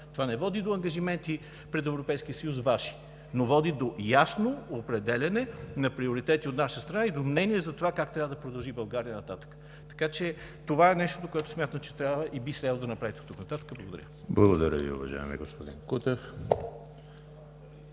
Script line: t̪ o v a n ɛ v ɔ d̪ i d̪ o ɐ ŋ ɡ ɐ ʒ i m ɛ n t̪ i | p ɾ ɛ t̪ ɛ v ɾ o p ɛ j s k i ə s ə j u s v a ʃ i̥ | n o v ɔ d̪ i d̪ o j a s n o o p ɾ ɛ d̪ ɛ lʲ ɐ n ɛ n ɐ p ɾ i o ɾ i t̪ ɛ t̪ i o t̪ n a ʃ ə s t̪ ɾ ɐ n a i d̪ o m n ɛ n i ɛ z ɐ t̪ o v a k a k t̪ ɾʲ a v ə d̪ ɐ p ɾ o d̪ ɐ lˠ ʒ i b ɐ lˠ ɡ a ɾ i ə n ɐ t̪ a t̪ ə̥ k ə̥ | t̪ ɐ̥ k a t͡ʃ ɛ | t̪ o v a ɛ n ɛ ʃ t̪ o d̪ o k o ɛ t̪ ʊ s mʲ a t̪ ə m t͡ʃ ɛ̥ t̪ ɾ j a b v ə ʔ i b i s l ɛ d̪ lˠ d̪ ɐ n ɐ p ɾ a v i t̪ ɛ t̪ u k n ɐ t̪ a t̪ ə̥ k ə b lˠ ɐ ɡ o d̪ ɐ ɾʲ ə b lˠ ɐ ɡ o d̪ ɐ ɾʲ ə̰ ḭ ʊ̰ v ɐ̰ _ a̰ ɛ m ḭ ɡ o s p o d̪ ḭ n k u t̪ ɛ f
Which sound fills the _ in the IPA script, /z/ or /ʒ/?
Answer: ʒ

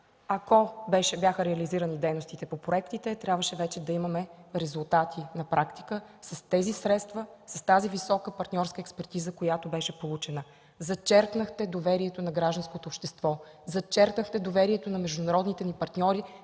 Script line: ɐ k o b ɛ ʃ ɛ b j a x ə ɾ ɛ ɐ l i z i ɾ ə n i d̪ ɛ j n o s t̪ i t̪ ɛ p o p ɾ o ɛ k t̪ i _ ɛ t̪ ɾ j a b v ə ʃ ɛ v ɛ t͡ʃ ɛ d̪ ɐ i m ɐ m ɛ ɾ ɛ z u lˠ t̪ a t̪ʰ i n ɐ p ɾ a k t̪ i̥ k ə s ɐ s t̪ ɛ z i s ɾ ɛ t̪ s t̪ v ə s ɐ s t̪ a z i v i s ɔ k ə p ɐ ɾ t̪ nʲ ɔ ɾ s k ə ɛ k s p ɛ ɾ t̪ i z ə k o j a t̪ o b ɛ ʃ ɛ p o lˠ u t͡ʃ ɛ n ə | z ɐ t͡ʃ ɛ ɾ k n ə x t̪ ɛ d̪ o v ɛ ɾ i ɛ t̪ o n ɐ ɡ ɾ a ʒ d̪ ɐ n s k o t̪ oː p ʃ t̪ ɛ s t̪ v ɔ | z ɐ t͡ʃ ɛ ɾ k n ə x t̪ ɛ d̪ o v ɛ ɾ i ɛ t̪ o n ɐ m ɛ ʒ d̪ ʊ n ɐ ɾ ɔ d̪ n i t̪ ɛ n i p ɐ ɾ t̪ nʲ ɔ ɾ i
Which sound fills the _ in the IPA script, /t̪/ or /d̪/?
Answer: t̪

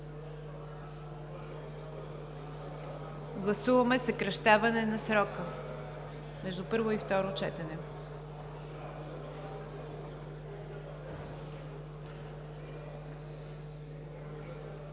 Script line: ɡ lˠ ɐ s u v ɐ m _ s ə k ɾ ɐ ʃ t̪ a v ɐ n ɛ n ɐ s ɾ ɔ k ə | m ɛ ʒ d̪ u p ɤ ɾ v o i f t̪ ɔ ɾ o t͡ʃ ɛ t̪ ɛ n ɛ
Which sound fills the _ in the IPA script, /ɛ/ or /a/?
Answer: ɛ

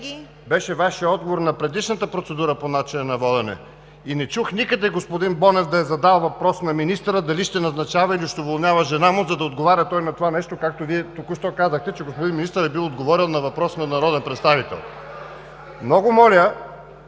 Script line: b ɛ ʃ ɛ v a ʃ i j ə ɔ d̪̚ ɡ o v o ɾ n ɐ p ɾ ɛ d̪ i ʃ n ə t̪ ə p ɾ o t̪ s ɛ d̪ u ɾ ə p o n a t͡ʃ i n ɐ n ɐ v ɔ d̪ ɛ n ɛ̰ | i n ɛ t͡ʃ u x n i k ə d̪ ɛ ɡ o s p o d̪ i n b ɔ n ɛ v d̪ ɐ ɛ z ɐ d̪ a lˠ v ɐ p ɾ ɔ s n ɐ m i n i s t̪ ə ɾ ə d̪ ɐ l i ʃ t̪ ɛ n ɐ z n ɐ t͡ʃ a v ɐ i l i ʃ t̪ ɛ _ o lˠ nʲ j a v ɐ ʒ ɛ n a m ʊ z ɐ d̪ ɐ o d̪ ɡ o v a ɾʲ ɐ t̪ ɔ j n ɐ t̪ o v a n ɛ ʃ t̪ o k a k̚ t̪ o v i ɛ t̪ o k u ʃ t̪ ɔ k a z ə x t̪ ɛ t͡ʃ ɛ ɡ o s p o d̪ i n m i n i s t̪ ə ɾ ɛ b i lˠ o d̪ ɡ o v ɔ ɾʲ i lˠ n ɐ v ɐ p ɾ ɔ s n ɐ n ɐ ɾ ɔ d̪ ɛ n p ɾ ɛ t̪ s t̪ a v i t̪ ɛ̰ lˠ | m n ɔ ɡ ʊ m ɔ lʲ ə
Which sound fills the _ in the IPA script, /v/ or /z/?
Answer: v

